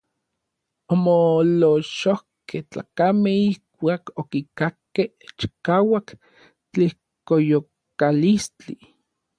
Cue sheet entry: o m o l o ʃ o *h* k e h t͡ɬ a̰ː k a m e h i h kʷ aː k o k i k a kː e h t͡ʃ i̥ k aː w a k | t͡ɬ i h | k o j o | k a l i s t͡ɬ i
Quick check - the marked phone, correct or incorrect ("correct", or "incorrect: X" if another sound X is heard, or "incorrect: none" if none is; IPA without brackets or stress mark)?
correct